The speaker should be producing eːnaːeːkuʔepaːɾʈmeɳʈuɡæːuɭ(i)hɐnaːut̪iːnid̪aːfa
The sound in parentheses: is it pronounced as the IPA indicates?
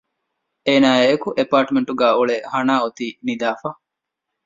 no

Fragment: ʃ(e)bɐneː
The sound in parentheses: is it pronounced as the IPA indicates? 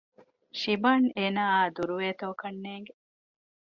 no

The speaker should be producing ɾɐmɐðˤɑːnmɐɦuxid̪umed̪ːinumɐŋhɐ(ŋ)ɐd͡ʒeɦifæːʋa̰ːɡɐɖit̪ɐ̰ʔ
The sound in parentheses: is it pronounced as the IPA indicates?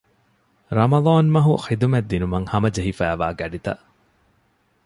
no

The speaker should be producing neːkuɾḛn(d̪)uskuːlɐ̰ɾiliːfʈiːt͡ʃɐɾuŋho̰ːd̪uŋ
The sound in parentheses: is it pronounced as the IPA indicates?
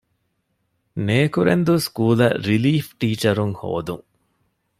yes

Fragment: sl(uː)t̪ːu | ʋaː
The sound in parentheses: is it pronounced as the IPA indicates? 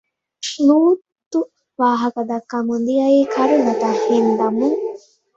yes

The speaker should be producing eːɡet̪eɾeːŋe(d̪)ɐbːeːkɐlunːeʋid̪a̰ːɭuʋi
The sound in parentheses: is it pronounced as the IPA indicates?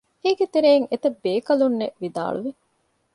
no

